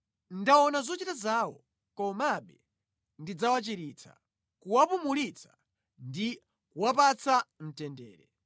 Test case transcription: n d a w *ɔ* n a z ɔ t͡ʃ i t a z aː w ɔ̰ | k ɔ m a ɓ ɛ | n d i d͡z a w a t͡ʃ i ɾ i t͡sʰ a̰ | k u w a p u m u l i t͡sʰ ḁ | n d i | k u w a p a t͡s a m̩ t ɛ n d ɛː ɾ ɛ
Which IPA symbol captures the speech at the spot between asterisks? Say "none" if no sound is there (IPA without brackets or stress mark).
ɔ